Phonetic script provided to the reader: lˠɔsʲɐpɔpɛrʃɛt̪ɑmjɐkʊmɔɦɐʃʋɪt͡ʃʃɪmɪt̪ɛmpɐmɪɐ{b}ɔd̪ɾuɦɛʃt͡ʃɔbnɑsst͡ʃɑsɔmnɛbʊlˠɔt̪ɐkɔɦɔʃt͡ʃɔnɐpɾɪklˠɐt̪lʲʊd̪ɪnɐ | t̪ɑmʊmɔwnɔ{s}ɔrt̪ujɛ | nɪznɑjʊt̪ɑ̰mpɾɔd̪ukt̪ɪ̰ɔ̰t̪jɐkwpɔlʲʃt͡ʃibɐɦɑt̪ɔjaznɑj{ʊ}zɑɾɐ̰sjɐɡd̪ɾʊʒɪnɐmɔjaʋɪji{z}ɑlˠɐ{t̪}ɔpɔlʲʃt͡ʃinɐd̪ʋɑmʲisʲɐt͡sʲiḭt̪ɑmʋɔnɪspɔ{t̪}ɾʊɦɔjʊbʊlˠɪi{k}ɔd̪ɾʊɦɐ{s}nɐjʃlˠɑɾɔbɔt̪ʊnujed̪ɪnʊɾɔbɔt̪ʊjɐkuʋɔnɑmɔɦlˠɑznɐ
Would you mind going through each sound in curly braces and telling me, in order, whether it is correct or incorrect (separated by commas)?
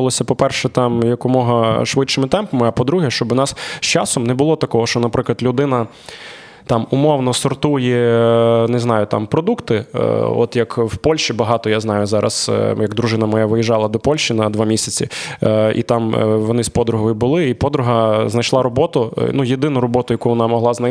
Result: incorrect, correct, correct, incorrect, incorrect, incorrect, incorrect, incorrect